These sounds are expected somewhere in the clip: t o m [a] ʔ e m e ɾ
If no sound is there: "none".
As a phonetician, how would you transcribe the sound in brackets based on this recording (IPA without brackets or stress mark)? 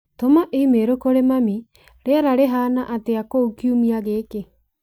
a